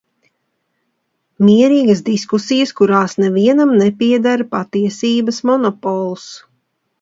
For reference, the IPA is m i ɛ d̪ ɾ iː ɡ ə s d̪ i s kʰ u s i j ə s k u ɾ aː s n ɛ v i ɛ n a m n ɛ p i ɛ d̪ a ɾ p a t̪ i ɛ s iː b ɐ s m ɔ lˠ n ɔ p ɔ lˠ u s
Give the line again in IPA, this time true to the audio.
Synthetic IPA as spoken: m i ɛ ɾ iː ɡ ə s d̪ i s k u s i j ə s k u ɾ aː s n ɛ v i ɛ n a m n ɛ p i ɛ d̪ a ɾ p a t̪ i ɛ s iː b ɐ s m ɔ n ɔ p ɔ lˠ u s